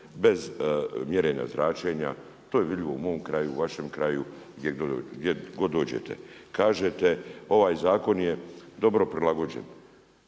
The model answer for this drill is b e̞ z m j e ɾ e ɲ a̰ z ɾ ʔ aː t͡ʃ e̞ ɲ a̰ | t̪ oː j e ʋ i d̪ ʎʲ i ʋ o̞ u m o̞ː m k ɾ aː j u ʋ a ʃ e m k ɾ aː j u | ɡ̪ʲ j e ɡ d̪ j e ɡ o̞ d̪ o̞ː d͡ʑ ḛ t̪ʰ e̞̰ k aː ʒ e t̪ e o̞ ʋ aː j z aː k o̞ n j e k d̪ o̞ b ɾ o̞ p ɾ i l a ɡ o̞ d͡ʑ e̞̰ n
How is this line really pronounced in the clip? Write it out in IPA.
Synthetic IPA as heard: b e̞ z m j e ɾ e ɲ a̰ z ɾ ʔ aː t͡ʃ e̞ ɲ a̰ | t̪ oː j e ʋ i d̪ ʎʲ i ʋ o̞ u m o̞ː m k ɾ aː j u ʋ a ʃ e m k ɾ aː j u | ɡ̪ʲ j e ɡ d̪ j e ɡ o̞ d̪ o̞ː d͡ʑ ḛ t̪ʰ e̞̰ k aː ʒ e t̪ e o̞ ʋ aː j z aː k o̞ n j e d̪ o̞ b ɾ o̞ p ɾ i l a ɡ o̞ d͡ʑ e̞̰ n